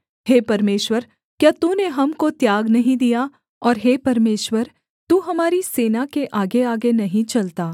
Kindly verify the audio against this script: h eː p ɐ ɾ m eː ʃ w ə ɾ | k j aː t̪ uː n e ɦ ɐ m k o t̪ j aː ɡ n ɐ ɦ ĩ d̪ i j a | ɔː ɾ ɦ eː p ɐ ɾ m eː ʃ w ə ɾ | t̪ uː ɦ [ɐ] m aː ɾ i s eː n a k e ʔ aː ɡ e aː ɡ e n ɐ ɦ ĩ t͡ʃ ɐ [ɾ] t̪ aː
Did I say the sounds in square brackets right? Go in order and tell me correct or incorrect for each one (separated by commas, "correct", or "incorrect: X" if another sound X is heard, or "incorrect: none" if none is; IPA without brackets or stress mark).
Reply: correct, incorrect: l